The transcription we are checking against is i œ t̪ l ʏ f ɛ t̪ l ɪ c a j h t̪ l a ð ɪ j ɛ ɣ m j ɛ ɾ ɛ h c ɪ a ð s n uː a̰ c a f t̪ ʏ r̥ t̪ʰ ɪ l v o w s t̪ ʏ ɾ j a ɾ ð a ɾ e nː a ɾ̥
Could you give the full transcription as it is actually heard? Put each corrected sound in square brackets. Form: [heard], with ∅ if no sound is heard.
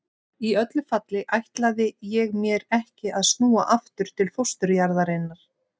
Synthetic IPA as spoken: i œ t̪ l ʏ f [a] t̪ l ɪ [ʔ] a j h t̪ l a ð ɪ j ɛ ɣ m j ɛ ɾ ɛ h c ɪ a ð s n uː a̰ [ʔ] a f t̪ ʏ [ɾ̥] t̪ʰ ɪ l [f] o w s t̪ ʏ ɾ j a ɾ ð a ɾ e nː a ɾ̥

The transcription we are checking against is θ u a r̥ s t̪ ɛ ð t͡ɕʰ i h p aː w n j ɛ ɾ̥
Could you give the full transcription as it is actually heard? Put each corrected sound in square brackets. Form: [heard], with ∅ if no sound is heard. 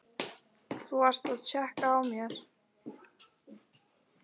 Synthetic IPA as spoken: θ u a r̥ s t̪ [a] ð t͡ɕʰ [ɛ] h [k] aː w [m] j ɛ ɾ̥

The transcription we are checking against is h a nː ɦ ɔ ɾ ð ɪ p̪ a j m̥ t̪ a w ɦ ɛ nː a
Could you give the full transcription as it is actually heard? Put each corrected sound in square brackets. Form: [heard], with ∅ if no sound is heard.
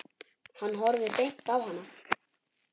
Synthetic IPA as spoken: h a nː ɦ ɔ ɾ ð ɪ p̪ [e] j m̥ t̪ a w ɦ [a] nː a

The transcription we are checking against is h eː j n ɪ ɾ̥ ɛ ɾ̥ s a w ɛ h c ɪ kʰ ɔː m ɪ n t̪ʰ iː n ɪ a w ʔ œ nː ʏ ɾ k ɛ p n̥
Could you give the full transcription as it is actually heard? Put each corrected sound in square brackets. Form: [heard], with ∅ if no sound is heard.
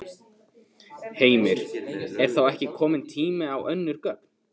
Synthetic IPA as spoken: h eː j [m] ɪ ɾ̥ ɛ ɾ̥ [θ] a w ɛ h c ɪ kʰ ɔː m ɪ n t̪ʰ iː [m] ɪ a w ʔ œ nː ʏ ɾ k [œ] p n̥

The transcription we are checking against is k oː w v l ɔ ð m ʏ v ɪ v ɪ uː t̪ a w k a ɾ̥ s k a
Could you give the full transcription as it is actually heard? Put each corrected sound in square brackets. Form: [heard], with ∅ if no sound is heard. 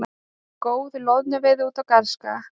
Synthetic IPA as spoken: k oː w [ð] l ɔ ð [n] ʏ v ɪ [ð] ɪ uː t̪ a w k a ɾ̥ s k a

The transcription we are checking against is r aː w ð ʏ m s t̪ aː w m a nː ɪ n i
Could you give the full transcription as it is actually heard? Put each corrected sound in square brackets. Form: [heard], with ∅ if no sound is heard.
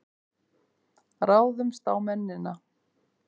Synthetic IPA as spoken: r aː w ð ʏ m s t̪ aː w m [ɛ] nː ɪ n [a]

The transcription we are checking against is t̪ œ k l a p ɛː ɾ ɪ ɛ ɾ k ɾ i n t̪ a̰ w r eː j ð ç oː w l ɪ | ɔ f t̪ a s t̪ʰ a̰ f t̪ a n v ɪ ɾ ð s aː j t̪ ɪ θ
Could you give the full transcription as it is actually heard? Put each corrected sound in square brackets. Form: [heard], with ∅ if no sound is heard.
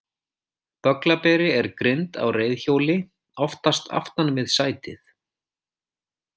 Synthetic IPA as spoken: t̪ œ k l a p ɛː ɾ ɪ ɛ ɾ k ɾ [ɪ] n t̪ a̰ w r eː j ð ç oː w l ɪ | ɔ f t̪ a s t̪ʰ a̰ f t̪ a n v ɪ [∅] ð s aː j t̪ ɪ θ

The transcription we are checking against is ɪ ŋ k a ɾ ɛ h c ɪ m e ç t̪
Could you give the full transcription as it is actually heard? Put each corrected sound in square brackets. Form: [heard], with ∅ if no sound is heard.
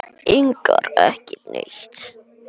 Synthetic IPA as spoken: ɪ ŋ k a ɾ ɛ h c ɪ [n] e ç t̪

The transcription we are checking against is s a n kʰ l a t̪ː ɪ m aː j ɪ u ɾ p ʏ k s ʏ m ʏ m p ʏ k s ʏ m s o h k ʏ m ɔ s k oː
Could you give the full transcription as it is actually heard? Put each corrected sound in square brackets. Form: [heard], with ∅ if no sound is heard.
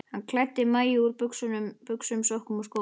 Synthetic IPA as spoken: [h] a n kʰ l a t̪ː ɪ m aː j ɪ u ɾ p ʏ k s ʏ [n] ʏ m p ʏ k s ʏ m s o h k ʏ m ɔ s k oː

